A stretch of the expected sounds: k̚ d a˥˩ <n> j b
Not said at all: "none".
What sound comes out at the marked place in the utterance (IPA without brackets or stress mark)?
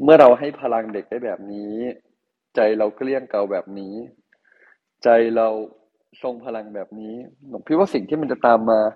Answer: none